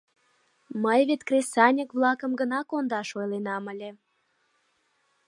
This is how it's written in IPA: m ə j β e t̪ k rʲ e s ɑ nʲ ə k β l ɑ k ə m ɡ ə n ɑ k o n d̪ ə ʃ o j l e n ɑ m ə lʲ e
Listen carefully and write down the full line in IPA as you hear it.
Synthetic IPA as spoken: m ə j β e t̪ k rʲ e s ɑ nʲ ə k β l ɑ k ə m ɡ ə n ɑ k o n d̪ ɑ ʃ o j l e n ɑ m ə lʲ e